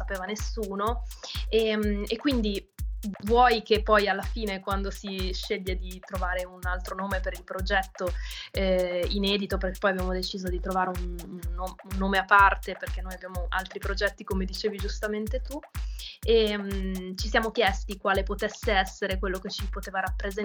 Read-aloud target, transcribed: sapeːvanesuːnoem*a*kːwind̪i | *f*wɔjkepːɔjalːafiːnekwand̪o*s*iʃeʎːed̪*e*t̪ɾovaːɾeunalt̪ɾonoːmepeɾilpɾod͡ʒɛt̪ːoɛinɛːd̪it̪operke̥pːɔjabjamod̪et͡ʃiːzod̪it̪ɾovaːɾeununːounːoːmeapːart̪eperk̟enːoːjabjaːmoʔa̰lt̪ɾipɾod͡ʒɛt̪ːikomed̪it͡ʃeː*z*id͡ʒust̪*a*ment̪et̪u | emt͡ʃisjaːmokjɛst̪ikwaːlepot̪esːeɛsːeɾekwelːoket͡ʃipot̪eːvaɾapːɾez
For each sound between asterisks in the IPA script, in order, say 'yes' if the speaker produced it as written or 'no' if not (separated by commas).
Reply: no, no, yes, no, no, yes